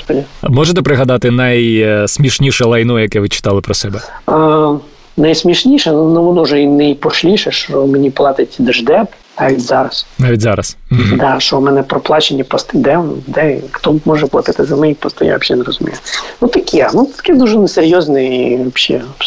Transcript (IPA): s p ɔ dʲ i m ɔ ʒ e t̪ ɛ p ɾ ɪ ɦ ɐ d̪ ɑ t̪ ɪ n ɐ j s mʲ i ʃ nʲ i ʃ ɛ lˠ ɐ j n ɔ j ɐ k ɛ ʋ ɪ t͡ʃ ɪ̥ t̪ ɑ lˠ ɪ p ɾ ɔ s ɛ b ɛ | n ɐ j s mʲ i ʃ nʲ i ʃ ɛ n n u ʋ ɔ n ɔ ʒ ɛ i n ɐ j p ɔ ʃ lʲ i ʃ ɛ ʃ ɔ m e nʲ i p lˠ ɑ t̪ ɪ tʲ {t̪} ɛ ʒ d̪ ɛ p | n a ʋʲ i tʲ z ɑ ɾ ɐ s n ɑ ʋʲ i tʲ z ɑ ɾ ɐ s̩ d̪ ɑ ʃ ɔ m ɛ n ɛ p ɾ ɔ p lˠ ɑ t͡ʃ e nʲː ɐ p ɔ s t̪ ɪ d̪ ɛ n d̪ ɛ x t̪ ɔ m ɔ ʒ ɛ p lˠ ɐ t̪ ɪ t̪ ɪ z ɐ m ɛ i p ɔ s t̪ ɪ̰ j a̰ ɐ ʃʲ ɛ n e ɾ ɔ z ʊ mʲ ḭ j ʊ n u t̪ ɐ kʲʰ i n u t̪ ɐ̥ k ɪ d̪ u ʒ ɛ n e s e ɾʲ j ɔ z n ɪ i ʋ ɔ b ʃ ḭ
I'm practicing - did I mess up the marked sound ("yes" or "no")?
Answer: yes